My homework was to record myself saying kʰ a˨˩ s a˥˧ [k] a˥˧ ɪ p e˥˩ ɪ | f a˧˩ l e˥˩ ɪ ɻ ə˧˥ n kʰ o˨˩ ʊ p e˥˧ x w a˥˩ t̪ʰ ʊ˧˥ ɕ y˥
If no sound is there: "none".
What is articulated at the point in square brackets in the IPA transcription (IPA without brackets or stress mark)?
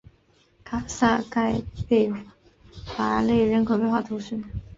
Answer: k